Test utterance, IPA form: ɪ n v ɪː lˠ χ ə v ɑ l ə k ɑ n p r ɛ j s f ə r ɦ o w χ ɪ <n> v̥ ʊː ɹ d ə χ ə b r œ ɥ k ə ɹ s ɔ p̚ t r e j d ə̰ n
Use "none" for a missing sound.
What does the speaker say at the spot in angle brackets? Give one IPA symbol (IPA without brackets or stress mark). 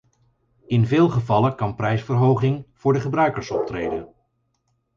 ŋ